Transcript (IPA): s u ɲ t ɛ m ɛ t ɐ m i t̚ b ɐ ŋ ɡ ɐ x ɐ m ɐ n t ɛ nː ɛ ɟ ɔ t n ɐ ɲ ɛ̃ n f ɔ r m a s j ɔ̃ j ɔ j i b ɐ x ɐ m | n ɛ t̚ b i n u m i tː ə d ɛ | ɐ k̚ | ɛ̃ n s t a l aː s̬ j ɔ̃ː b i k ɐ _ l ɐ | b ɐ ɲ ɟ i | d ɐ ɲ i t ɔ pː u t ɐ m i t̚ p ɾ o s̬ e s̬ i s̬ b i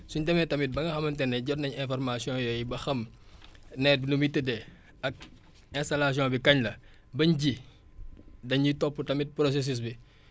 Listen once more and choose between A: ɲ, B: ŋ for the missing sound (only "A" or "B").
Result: A